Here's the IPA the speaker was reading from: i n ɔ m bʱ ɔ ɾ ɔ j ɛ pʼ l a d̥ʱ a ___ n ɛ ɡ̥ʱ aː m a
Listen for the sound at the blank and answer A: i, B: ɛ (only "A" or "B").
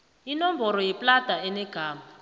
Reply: B